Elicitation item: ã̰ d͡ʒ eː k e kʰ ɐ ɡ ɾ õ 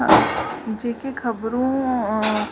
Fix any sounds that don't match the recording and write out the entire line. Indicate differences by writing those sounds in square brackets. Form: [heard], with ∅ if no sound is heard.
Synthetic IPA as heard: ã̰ d͡ʒ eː k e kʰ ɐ [b] ɾ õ